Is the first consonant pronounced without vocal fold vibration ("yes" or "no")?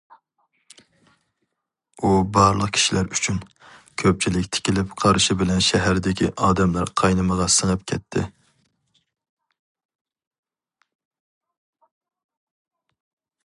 no